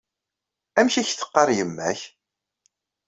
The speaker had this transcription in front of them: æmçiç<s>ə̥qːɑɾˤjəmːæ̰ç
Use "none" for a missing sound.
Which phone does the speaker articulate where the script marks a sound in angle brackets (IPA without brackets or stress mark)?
θ